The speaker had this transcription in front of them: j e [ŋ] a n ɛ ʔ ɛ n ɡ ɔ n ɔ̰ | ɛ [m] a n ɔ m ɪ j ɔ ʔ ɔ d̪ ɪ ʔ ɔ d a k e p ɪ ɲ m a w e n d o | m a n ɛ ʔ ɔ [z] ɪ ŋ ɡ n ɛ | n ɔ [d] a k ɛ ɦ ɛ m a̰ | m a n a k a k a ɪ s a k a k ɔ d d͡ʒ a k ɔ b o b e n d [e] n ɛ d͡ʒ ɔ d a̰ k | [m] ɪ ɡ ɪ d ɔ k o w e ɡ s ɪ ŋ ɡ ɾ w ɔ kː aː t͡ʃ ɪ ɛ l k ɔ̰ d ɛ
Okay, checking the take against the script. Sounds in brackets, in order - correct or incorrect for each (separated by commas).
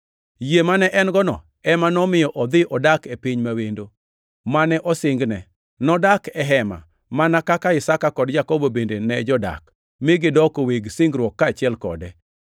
incorrect, correct, incorrect, correct, correct, correct